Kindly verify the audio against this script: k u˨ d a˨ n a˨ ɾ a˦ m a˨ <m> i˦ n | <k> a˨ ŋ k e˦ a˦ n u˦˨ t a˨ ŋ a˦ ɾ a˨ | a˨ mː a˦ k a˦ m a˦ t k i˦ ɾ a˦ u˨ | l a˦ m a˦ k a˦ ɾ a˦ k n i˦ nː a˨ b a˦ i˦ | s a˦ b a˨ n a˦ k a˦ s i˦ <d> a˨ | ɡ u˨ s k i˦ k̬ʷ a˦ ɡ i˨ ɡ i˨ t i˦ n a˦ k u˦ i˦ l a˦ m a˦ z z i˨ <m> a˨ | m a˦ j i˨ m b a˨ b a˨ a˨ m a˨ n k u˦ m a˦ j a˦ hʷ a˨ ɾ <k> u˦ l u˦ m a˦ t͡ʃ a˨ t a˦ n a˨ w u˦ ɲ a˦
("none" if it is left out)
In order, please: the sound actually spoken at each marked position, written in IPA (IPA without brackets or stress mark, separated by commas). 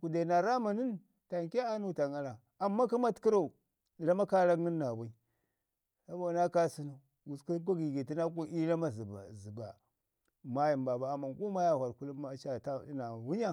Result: n, t, n, b, k